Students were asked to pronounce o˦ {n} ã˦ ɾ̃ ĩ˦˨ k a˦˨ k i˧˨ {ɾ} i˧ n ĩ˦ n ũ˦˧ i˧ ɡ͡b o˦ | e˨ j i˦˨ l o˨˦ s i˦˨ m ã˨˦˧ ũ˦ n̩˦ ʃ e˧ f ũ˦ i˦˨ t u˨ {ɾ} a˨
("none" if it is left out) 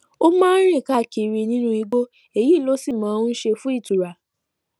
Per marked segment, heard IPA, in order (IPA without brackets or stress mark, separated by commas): m, ɾ, ɾ